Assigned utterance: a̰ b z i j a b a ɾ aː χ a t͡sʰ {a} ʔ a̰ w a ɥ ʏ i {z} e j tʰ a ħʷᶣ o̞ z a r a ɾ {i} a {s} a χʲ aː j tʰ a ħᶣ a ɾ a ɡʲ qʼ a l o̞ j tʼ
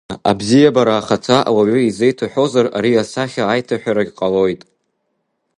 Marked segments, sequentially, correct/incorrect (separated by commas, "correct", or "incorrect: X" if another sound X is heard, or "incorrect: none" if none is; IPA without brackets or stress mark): correct, correct, correct, correct